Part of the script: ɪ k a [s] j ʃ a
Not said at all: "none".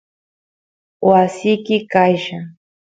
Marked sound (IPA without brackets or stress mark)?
none